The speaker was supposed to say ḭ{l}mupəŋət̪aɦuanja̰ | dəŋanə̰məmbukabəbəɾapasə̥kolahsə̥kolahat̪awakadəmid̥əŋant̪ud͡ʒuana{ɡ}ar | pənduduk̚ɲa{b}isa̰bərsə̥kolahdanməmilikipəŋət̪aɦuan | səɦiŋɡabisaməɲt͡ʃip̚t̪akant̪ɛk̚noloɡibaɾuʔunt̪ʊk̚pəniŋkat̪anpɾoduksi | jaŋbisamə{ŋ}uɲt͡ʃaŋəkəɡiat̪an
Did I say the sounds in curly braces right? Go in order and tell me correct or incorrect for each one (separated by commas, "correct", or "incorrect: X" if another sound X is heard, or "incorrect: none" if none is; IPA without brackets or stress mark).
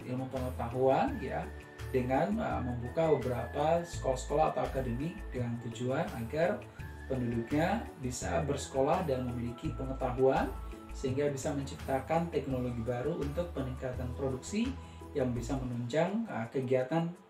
correct, correct, correct, incorrect: n